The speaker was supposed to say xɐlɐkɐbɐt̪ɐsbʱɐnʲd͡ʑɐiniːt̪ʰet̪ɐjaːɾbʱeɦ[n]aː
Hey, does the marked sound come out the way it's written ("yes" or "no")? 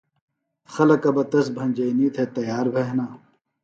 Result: yes